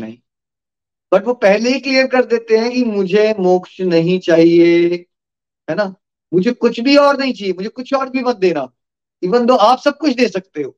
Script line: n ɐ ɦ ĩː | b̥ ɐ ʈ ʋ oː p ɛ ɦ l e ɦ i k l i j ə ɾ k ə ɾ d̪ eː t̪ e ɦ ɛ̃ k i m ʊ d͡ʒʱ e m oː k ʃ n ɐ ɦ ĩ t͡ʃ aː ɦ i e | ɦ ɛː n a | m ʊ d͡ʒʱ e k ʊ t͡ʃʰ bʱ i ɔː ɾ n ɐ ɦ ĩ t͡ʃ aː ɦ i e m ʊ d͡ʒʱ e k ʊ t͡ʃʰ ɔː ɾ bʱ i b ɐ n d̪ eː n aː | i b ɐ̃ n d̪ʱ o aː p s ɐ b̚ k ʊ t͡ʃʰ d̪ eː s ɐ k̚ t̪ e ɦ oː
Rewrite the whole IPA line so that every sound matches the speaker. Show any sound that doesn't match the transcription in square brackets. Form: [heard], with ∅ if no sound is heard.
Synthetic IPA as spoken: n ɐ ɦ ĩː | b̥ ɐ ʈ ʋ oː p ɛ ɦ l e ɦ i k l i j ə ɾ k [ɐ] ɾ d̪ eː t̪ e ɦ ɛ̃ k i m ʊ d͡ʒʱ e m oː k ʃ n ɐ ɦ ĩ t͡ʃ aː ɦ i e | ɦ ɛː n a | m ʊ d͡ʒʱ e k ʊ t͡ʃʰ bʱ i ɔː ɾ n ɐ ɦ ĩ t͡ʃ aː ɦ i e m ʊ d͡ʒʱ e k ʊ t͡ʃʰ ɔː ɾ bʱ i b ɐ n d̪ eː n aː | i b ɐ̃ n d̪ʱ o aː p s ɐ b̚ k ʊ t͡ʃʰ d̪ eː s ɐ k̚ t̪ e ɦ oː